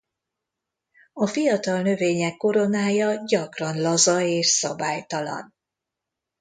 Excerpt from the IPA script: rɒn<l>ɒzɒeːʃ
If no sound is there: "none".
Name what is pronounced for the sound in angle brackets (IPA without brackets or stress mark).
l